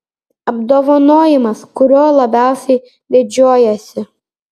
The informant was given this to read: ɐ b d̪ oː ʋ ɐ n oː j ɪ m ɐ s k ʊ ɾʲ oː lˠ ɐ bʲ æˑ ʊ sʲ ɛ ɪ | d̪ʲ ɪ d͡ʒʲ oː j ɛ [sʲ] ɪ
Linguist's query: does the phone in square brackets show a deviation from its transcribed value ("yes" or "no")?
no